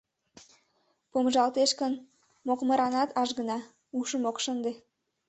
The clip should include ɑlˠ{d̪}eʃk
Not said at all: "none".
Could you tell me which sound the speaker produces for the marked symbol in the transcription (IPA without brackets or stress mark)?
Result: t̪